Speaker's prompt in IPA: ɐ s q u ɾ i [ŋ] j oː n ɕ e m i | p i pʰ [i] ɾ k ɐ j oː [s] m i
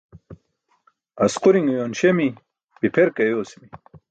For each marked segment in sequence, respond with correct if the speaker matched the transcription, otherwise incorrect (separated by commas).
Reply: correct, incorrect, correct